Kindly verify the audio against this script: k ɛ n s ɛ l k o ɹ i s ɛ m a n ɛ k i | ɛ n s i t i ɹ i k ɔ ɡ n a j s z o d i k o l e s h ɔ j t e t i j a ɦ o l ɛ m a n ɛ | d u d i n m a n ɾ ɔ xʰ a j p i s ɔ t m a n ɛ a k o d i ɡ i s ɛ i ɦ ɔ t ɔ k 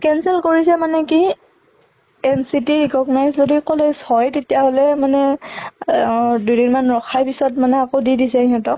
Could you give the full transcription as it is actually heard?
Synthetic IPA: k ɛ n s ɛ l k o ɹ i s ɛ m a n ɛ k i | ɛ n s i t i ɹ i k ɔ ɡ n a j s z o d i k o l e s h ɔ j t e t i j a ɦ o l ɛ m a n ɛ | d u d i n m a n ɹ ɔ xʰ a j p i s ɔ t m a n ɛ a k o d i d i s ɛ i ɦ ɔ t ɔ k

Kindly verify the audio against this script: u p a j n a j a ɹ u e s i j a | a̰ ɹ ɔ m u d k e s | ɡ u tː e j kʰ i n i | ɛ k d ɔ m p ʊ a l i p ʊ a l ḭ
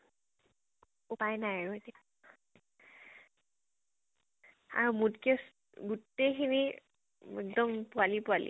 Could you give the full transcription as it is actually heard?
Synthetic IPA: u p a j n a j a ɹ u e t i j a | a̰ ɹ u m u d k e s | ɡ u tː e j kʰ i n i | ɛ k d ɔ m p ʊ a l i p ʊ a l ḭ

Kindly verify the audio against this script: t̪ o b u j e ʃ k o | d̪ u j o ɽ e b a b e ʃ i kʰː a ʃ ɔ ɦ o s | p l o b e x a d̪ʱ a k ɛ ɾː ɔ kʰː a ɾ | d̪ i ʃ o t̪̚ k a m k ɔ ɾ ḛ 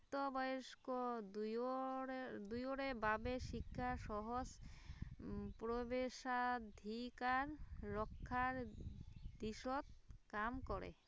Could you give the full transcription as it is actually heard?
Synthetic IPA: t̪ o b ɔ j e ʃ k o | d̪ u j o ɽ e b a b e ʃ i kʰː a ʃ ɔ ɦ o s | p ɾ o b e ʃ a d̪ʱ i k a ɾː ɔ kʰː a ɾ | d̪ i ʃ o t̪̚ k a m k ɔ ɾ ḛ

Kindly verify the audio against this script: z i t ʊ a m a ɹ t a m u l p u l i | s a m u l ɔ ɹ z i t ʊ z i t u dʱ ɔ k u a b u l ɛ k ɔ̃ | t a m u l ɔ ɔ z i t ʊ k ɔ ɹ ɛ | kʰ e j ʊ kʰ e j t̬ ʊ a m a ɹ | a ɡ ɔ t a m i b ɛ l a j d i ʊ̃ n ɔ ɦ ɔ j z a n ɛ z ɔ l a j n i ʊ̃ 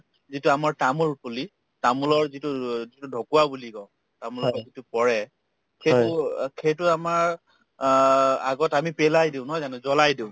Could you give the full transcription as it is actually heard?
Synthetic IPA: z i t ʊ a m a ɹ t a m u l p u l i | t a m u l ɔ ɹ z i t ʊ z i t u dʱ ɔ k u a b u l i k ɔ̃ | t a m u l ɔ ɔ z i t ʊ p ɔ ɹ ɛ | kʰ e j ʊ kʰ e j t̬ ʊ a m a ɹ | a ɡ ɔ t a m i p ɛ l a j d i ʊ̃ n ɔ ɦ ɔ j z a n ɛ z ɔ l a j d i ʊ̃

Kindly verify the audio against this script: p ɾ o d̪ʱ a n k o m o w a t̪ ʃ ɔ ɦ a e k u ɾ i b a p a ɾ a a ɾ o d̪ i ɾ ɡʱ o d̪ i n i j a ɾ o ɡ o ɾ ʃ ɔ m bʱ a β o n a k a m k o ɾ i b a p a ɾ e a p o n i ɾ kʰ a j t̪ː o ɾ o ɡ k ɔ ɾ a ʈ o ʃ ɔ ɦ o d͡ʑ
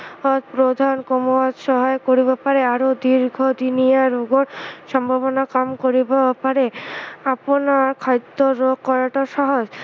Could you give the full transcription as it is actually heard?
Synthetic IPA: p ɾ o d̪ʱ a n k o m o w a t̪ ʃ ɔ ɦ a e k o ɾ i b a p a ɾ e a ɾ o d̪ i ɾ ɡʱ o d̪ i n i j a ɾ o ɡ o ɾ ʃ ɔ m bʱ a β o n a k a m k o ɾ i b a p a ɾ e a p o n a ɾ kʰ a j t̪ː o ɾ o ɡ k ɔ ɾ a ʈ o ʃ ɔ ɦ o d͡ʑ

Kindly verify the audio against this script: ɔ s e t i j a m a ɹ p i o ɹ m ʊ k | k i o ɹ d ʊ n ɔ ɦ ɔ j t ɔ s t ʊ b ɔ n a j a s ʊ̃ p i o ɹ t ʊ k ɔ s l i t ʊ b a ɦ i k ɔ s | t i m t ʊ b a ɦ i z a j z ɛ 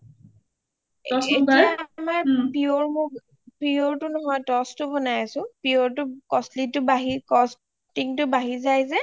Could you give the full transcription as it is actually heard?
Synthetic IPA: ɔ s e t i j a m a ɹ p i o ɹ m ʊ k | p i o ɹ t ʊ n ɔ ɦ ɔ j t ɔ s t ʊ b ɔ n a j a s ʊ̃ p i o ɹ t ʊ k ɔ s l i t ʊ b a ɦ i k ɔ s | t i ŋ t ʊ b a ɦ i z a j z ɛ

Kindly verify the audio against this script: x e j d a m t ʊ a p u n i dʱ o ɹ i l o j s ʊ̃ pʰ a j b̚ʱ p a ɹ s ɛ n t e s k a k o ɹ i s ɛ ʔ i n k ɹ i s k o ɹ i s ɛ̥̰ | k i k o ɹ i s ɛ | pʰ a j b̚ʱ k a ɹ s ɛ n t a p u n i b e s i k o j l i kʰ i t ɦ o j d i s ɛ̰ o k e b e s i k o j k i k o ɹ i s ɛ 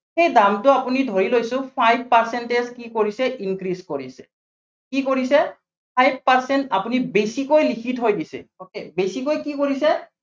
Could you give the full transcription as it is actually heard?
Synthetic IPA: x e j d a m t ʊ a p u n i dʱ o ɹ i l o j s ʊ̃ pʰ a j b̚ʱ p a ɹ s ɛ n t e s k i k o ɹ i s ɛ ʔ i n k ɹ i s k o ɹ i s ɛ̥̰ | k i k o ɹ i s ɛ | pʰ a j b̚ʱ p a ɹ s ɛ n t a p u n i b e s i k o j l i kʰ i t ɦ o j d i s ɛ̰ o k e b e s i k o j k i k o ɹ i s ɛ

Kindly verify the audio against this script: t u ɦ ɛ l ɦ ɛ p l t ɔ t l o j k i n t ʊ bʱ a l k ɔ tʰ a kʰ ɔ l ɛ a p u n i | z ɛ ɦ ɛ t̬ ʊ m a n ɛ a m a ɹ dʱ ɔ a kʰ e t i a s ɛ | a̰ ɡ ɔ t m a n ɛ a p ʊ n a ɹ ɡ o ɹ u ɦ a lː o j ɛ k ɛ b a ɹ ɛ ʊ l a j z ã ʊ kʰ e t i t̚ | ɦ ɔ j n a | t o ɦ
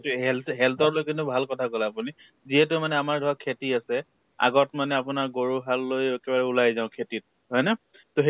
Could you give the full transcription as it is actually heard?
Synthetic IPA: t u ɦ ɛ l ɦ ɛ l t ɔ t l o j k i n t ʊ bʱ a l k ɔ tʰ a k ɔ l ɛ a p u n i | z i ɦ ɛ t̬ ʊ m a n ɛ a m a ɹ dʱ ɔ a kʰ e t i a s ɛ | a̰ ɡ ɔ t m a n ɛ a p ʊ n a ɹ ɡ o ɹ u ɦ a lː o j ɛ k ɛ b a ɹ ɛ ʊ l a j z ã ʊ kʰ e t i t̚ | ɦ ɔ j n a | t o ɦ

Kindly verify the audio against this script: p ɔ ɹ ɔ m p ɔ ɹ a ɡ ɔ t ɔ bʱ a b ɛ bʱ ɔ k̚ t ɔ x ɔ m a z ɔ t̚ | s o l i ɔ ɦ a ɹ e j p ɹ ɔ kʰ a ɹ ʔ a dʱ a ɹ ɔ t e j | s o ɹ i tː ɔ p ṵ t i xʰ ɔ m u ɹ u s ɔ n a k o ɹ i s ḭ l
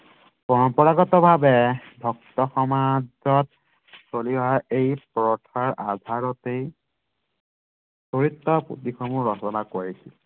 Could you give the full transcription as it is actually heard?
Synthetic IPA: p ɔ ɹ ɔ m p ɔ ɹ a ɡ ɔ t ɔ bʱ a b ɛ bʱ ɔ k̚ t ɔ x ɔ m a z ɔ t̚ | s o l i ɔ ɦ a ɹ e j p ɹ ɔ tʰ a ɹ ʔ a dʱ a ɹ ɔ t e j | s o ɹ i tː ɔ p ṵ t i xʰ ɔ m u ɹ ɔ s ɔ n a k o ɹ i s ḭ l

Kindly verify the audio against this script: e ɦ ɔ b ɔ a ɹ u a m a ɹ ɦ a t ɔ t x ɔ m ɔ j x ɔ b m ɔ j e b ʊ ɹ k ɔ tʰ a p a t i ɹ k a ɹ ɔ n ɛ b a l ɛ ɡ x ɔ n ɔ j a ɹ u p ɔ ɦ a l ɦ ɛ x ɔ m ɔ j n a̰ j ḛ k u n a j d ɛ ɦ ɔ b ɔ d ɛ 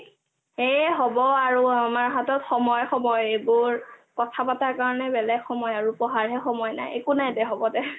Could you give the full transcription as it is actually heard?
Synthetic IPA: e ɦ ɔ b ɔ a ɹ u a m a ɹ ɦ a t ɔ t x ɔ m ɔ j x ɔ m ɔ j e b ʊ ɹ k ɔ tʰ a p a t a ɹ k a ɹ ɔ n ɛ b ɛ l ɛ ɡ x ɔ m ɔ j a ɹ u p ɔ ɦ a ɹ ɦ ɛ x ɔ m ɔ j n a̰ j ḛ k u n a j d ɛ ɦ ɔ b ɔ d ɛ

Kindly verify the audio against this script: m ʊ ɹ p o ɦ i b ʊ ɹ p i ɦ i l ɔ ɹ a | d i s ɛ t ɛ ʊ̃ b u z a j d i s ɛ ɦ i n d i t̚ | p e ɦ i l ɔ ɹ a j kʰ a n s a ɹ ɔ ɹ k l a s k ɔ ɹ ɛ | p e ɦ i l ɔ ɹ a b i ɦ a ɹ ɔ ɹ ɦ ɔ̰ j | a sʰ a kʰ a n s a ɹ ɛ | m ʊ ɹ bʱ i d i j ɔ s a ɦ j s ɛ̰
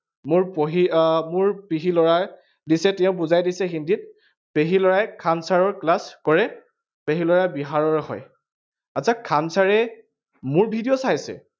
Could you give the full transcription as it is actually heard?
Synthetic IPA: m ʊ ɹ p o ɦ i m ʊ ɹ p i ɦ i l ɔ ɹ a | d i s ɛ t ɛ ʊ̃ b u z a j d i s ɛ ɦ i n d i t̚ | p e ɦ i l ɔ ɹ a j kʰ a n s a ɹ ɔ ɹ k l a s k ɔ ɹ ɛ | p e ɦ i l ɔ ɹ a b i ɦ a ɹ ɔ ɹ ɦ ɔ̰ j | a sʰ a kʰ a n s a ɹ ɛ | m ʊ ɹ bʱ i d i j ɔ s a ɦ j s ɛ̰

